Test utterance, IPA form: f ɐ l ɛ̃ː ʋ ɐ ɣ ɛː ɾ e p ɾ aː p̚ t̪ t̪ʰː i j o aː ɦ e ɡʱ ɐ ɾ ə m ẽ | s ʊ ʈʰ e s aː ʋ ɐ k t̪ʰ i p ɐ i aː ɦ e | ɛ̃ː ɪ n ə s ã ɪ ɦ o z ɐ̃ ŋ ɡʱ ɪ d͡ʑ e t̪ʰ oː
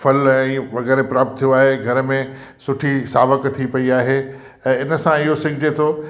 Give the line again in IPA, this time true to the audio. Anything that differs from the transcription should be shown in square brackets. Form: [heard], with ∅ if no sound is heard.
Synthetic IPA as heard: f ɐ l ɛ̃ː ʋ ɐ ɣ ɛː ɾ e p ɾ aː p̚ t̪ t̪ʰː i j o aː ɦ e ɡʱ ɐ ɾ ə m ẽ | s ʊ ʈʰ [i] s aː ʋ [ə] k t̪ʰ i p ɐ i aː ɦ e | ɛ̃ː ɪ n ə s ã ɪ ɦ o [s] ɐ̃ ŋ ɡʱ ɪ d͡ʑ e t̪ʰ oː